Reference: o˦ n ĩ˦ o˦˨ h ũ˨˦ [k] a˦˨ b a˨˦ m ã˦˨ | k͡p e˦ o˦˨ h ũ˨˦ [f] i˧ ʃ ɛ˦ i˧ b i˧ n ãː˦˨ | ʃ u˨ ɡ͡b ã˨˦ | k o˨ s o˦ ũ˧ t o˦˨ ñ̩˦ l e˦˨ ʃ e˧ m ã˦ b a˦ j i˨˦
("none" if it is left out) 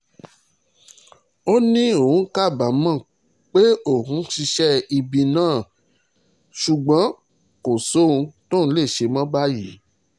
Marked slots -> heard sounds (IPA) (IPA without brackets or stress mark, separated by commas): k, ʃ